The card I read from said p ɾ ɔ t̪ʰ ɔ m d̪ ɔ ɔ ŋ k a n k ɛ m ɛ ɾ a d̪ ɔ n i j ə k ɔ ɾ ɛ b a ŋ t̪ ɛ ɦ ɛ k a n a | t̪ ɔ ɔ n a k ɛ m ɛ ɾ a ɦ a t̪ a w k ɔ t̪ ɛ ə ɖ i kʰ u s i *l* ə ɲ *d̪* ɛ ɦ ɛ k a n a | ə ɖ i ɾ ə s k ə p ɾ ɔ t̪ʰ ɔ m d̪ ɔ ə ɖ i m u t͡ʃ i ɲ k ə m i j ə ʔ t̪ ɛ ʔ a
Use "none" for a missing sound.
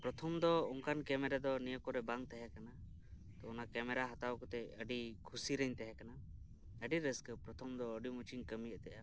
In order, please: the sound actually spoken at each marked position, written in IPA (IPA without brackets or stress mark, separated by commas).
ɾ, t̪